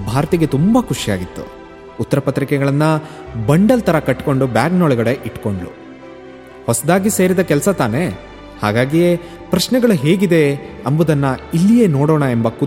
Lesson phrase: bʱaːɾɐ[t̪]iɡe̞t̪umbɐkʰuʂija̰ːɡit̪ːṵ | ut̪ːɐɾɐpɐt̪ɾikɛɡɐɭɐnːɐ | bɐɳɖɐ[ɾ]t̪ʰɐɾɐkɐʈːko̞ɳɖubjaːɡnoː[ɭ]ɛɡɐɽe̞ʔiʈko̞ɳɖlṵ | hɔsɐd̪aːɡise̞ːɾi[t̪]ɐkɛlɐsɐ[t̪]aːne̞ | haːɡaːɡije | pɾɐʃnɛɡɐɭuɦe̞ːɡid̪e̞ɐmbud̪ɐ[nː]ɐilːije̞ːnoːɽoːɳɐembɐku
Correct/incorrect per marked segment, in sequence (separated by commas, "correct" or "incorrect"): correct, incorrect, correct, incorrect, correct, correct